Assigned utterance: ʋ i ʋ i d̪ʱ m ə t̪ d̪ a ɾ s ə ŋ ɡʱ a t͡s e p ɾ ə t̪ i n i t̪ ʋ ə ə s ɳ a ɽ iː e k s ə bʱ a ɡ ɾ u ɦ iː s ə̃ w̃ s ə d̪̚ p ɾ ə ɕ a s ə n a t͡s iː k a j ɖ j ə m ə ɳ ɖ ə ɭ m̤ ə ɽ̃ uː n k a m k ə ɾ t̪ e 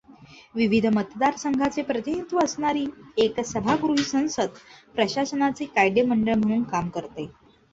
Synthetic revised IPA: ʋ i ʋ i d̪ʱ m ə t̪ d̪ a ɾ s ə ŋ ɡʱ a t͡s e p ɾ ə t̪ i n i t̪ ʋ ə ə s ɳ a ɾ iː e k s ə bʱ a ɡ ɾ u ɦ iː s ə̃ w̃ s ə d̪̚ p ɾ ə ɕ a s ə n a t͡s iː k a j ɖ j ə m ə ɳ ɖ ə ɭ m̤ ə ɽ̃ uː n k a m k ə ɾ t̪ e